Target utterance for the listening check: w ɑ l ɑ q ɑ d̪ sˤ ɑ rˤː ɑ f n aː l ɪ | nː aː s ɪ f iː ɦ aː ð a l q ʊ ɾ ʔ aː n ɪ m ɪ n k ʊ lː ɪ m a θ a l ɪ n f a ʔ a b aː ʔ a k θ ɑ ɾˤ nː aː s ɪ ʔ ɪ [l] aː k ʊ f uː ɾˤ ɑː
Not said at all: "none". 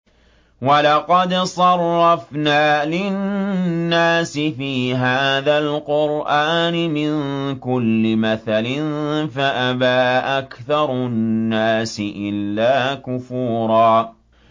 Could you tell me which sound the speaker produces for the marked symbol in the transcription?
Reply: lː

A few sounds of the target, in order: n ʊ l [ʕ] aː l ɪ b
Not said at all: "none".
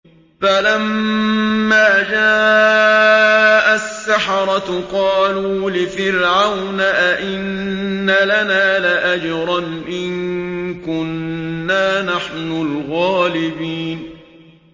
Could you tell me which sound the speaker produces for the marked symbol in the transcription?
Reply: ɣ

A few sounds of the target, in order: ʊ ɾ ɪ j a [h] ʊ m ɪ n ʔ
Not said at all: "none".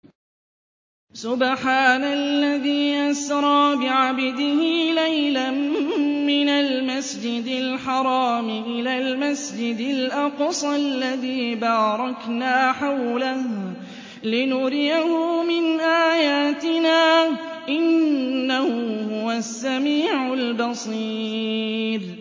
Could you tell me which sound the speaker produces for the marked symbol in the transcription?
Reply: h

